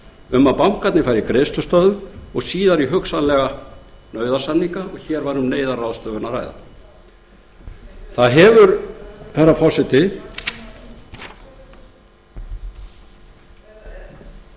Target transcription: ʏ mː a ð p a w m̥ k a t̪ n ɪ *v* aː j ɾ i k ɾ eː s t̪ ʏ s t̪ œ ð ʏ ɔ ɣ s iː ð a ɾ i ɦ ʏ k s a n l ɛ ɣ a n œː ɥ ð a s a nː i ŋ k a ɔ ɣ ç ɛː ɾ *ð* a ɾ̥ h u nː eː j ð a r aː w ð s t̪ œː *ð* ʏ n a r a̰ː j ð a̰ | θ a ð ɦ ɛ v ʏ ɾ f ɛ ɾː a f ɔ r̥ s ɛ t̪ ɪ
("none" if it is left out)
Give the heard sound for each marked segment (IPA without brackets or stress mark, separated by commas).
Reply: f, v, v